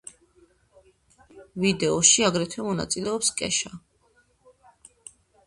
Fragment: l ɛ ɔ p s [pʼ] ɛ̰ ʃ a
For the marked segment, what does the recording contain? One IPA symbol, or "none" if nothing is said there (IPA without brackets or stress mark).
kʼ